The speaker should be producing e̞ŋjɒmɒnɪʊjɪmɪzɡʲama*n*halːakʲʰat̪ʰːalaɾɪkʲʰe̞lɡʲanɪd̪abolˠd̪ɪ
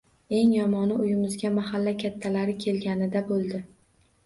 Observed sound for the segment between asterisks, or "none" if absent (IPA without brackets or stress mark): none